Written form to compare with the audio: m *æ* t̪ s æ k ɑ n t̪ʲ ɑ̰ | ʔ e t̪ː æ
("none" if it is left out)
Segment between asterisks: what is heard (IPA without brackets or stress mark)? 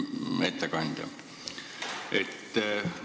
e